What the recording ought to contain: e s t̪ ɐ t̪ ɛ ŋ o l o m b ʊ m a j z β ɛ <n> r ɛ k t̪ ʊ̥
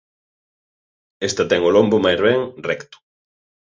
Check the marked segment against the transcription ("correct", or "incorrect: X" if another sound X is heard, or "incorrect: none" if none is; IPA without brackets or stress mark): incorrect: ŋ